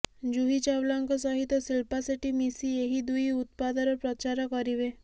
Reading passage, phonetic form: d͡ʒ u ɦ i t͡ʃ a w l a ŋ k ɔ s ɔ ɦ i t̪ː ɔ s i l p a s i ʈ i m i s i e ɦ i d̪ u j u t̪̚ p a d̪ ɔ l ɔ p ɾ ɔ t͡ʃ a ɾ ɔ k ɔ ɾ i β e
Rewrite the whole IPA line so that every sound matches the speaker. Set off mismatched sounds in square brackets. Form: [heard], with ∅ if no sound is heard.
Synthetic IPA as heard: d͡ʒ u ɦ i t͡ʃ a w l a ŋ k ɔ s ɔ ɦ i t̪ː ɔ s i l p a s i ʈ i m i s i e ɦ i d̪ u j u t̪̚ p a d̪ ɔ [ɾ] ɔ p ɾ ɔ t͡ʃ a ɾ ɔ k ɔ ɾ i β e